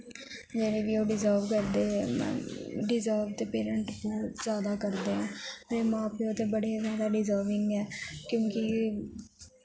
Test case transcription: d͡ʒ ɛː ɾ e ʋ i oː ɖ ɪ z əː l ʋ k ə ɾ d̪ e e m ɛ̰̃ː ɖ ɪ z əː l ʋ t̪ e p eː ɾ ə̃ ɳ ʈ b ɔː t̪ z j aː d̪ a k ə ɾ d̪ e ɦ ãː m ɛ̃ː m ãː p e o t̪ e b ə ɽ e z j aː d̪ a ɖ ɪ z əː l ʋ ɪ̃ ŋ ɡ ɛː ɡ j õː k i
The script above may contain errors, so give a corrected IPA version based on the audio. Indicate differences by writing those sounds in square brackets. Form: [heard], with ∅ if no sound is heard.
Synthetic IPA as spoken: d͡ʒ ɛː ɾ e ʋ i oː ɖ ɪ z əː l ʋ k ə ɾ d̪ e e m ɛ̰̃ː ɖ ɪ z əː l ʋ t̪ e p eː ɾ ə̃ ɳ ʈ b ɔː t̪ z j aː d̪ a k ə ɾ d̪ e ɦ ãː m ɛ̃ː m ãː p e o t̪ e b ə ɽ e z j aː d̪ a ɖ ɪ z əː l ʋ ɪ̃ ŋ ɡ ɛː [k] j õː k i